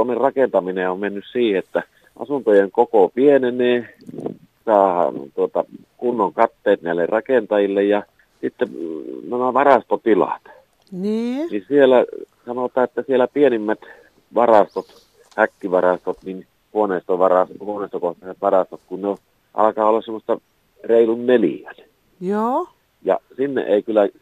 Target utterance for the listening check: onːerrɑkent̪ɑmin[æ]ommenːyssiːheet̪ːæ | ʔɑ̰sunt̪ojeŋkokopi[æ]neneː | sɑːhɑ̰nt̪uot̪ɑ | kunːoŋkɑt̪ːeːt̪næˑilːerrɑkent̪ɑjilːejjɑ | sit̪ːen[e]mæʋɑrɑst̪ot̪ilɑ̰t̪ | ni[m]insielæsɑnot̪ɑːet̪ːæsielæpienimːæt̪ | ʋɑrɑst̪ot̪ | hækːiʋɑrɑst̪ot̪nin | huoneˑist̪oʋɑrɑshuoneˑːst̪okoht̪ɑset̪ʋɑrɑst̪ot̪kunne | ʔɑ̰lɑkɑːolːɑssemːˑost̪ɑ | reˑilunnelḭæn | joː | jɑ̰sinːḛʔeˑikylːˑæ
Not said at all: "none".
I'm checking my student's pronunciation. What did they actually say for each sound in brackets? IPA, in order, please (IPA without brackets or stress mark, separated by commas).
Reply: e, e, æ, n